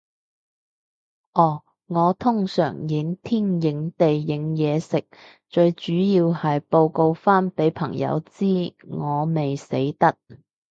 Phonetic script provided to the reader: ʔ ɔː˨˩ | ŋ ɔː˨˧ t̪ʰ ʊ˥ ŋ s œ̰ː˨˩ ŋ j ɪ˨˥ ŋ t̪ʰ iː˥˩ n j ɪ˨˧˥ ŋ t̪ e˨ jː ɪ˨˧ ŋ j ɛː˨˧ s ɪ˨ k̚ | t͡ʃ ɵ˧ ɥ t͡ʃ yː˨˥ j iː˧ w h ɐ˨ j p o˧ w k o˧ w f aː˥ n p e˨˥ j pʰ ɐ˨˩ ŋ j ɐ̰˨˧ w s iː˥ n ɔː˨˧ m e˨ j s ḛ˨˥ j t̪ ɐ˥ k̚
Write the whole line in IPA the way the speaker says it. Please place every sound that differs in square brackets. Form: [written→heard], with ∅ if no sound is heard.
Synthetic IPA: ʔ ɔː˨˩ | ŋ ɔː˨˧ t̪ʰ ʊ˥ ŋ s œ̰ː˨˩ ŋ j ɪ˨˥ ŋ t̪ʰ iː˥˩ n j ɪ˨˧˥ ŋ t̪ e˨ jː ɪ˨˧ ŋ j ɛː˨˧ s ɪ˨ k̚ | t͡ʃ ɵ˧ ɥ t͡ʃ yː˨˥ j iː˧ w h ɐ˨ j p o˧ w k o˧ w f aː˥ n p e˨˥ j pʰ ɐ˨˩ ŋ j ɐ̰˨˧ w [s→t͡s] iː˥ [n→ŋ] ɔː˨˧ m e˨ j s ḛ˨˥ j t̪ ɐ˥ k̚

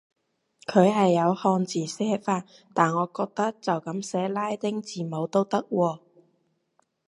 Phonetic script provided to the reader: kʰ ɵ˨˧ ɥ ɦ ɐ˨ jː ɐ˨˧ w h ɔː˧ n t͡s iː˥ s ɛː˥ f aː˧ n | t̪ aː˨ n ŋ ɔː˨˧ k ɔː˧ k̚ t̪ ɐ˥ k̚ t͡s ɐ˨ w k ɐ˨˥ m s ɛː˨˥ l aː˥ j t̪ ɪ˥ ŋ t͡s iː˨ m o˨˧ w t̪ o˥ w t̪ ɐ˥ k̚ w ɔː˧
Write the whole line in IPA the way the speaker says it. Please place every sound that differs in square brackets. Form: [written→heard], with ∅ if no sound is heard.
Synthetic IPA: kʰ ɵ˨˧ ɥ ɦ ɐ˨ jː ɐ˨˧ w h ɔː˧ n t͡s [iː˥→iː˨˩] s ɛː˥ f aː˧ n | t̪ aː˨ n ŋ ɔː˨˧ k ɔː˧ k̚ t̪ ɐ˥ k̚ t͡s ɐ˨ w k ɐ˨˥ m s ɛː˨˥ l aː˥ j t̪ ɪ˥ ŋ t͡s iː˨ m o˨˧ w t̪ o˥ w t̪ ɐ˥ k̚ w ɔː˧

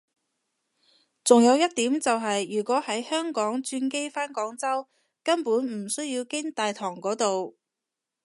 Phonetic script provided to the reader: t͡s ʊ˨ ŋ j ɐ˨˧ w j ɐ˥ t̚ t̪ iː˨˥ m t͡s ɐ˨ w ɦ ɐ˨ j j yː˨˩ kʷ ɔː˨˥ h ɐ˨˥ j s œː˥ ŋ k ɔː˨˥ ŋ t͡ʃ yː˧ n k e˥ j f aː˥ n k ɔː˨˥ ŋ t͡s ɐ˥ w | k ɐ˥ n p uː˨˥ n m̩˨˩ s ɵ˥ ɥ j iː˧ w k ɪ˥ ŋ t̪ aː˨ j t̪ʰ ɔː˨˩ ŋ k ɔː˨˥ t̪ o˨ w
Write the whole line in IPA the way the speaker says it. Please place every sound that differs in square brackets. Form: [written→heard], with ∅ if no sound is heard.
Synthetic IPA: t͡s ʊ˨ ŋ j ɐ˨˧ w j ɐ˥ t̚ t̪ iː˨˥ m t͡s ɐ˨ w ɦ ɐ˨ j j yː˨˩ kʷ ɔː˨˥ h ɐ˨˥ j [s→h] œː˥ ŋ k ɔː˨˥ ŋ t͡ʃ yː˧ n k e˥ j f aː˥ n k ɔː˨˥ ŋ t͡s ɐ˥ w | k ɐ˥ n p uː˨˥ n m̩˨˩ s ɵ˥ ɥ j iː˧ w k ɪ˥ ŋ t̪ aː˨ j t̪ʰ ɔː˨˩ ŋ k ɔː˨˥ t̪ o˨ w

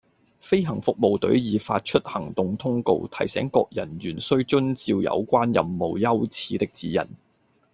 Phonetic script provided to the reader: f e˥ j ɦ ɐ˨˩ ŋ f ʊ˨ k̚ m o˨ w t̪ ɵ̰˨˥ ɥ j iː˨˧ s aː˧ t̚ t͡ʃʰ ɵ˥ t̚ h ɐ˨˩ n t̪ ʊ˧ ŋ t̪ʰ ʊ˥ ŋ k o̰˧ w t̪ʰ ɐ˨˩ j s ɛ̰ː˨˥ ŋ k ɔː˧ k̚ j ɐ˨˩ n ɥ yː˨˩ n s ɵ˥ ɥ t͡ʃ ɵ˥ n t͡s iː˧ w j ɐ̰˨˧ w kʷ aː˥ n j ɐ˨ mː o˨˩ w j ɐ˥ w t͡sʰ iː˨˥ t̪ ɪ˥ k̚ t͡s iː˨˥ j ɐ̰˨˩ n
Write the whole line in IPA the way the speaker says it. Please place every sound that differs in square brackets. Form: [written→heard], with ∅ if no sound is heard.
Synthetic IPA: f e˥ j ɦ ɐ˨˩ ŋ f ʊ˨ k̚ m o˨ w t̪ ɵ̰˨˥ ɥ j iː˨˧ [s→f] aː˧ t̚ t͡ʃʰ ɵ˥ t̚ h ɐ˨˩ [n→ŋ] t̪ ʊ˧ ŋ t̪ʰ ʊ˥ ŋ k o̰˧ w t̪ʰ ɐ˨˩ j s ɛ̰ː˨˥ ŋ k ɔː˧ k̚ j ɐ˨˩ n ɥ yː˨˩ n s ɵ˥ ɥ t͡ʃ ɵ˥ n t͡s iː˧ w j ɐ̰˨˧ w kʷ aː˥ n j ɐ˨ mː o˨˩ w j ɐ˥ w t͡sʰ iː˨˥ t̪ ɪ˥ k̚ t͡s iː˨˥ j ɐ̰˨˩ n

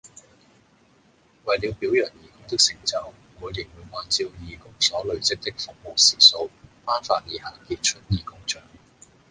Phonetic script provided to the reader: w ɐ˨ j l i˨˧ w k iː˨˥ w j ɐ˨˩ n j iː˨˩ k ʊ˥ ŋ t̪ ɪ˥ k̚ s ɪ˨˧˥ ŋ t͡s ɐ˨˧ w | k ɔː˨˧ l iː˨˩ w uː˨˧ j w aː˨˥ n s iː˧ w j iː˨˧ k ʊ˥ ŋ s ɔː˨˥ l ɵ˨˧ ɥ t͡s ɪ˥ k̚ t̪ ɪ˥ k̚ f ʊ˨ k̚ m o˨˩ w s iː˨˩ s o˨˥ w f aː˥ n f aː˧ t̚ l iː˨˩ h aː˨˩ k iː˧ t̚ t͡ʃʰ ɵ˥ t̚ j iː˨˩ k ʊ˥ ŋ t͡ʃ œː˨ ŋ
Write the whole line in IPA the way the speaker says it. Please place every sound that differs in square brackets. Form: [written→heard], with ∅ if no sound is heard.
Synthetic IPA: w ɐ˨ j l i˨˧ w [k→p] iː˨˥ w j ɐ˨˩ n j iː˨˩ k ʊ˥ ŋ t̪ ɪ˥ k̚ s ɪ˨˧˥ ŋ t͡s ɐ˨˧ w | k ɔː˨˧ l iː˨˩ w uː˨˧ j w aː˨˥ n [s→t͡s] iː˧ w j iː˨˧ k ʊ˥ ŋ s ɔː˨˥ l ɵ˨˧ ɥ t͡s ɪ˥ k̚ t̪ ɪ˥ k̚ f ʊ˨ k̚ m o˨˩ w s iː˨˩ s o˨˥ w f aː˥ n f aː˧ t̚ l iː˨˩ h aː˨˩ k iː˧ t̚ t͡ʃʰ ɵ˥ t̚ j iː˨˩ k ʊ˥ ŋ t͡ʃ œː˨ ŋ

